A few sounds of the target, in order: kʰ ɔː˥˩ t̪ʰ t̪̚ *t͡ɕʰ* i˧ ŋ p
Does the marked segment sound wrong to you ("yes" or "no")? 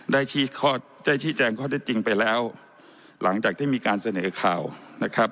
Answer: yes